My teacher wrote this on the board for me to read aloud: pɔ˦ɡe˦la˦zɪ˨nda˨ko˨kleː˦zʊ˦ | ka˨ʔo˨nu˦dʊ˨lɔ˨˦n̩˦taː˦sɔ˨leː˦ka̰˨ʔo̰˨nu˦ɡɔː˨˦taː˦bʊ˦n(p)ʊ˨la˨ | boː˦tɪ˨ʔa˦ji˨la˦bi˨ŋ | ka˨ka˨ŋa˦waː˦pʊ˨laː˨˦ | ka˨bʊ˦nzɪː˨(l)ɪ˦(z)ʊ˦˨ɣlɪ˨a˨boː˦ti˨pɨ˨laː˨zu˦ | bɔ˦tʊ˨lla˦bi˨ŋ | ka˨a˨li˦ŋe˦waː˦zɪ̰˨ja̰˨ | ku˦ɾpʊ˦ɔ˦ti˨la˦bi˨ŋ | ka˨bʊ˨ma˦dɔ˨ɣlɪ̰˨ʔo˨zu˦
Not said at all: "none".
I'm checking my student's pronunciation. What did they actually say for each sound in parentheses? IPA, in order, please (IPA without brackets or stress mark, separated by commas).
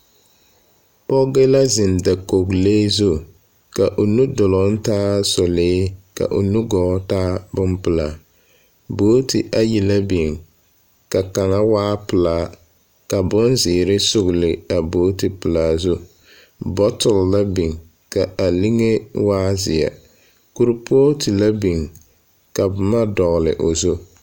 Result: p, ɾ, s